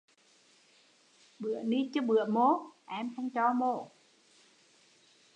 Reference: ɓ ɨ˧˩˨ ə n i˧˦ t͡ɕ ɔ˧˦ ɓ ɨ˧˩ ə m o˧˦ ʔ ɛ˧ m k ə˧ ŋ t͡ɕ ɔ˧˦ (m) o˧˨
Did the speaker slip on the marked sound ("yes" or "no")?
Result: no